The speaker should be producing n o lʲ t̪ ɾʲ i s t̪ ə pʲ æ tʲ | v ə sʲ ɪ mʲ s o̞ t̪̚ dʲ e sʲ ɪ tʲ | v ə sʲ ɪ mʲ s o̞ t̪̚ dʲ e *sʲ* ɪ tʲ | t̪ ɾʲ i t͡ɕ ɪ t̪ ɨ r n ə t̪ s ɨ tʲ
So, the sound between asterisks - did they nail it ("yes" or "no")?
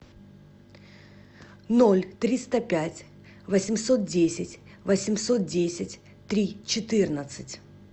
yes